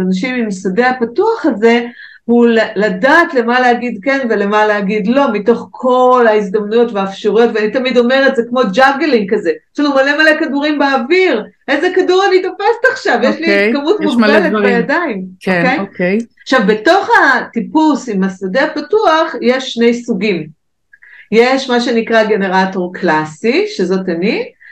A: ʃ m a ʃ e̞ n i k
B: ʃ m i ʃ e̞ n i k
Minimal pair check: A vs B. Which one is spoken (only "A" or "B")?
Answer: A